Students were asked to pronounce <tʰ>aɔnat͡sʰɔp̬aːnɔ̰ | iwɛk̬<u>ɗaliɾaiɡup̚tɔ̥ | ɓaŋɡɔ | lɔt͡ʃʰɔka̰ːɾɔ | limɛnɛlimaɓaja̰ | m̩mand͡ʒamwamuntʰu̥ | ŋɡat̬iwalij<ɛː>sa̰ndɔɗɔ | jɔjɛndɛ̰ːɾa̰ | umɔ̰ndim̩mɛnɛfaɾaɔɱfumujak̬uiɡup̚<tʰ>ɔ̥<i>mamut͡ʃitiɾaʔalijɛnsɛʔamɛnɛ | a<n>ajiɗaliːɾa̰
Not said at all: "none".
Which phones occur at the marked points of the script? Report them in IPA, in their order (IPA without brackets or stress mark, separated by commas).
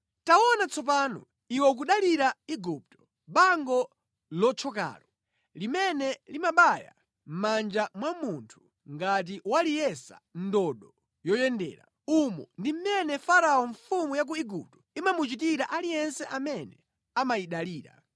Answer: t, u, ɛ, t, i, m